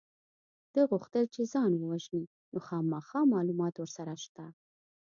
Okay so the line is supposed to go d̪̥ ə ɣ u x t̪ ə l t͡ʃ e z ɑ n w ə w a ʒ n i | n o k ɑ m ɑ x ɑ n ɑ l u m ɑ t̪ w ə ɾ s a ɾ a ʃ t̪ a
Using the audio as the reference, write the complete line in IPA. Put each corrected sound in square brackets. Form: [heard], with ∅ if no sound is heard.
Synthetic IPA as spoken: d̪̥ ə ɣ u x t̪ ə l t͡ʃ e z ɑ n w ə w a ʒ n i | n o [x] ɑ m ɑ x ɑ [m] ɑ l u m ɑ t̪ w ə ɾ s a ɾ a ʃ t̪ a